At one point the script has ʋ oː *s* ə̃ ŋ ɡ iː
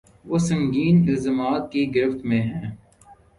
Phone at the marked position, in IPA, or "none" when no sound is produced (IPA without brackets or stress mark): s